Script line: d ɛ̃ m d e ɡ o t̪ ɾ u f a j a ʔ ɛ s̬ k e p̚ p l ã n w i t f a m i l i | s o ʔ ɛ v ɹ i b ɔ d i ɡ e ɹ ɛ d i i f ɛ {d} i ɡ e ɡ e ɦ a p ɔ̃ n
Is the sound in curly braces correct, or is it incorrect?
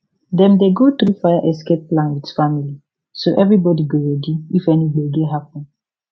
incorrect